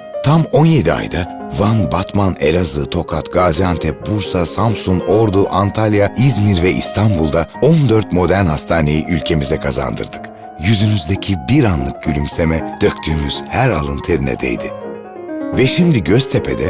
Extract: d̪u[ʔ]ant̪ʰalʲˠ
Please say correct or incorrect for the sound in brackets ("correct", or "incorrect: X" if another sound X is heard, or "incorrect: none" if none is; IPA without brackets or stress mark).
correct